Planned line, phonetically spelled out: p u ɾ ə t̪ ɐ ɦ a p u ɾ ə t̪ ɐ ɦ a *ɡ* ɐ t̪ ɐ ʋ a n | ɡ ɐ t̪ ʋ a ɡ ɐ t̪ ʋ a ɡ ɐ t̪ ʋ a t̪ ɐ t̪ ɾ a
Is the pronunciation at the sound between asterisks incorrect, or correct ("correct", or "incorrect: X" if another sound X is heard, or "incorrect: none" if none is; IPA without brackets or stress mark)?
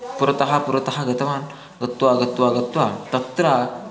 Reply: correct